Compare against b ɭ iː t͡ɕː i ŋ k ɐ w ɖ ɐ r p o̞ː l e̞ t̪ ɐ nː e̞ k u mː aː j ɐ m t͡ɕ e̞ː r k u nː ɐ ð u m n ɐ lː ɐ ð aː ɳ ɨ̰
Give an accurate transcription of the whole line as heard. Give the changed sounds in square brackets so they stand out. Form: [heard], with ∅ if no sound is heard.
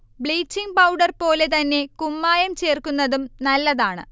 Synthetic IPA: b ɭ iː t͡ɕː i ŋ [p] ɐ w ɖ ɐ r p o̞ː l e̞ t̪ ɐ nː e̞ k u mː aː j ɐ m t͡ɕ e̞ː r k u nː ɐ ð u m n ɐ lː ɐ ð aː ɳ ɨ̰